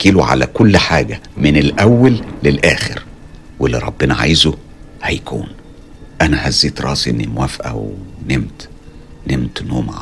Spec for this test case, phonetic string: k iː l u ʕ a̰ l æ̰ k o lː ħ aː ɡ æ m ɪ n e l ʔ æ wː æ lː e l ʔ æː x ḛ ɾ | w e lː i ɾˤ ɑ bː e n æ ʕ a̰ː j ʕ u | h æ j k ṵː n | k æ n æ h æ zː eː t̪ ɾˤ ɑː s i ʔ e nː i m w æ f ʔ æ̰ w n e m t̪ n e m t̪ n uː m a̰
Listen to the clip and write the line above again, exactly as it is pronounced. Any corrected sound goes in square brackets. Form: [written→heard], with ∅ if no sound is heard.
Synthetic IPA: k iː l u ʕ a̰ l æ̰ k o lː ħ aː ɡ æ m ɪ n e l ʔ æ wː æ lː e l ʔ æː x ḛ ɾ | w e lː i ɾˤ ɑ bː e n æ ʕ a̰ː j [ʕ→z] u | h æ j k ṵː n | [k→ʔ] æ n æ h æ zː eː t̪ ɾˤ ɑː s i ʔ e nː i m w æ f ʔ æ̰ w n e m t̪ n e m t̪ n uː m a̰